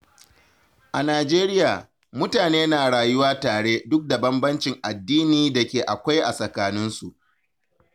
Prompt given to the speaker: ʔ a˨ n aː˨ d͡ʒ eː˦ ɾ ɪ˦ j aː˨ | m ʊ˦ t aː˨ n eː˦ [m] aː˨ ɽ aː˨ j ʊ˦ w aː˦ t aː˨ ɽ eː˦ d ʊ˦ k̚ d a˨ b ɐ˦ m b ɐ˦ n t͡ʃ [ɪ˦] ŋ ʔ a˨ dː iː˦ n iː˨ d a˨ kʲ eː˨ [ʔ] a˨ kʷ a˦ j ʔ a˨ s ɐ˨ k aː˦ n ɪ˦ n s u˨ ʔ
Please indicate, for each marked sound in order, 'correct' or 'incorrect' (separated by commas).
incorrect, incorrect, correct